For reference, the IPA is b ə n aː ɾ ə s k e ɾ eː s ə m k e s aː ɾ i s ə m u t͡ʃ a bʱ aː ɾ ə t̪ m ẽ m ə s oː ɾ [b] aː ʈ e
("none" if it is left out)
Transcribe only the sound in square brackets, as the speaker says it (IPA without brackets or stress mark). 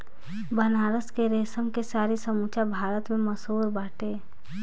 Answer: b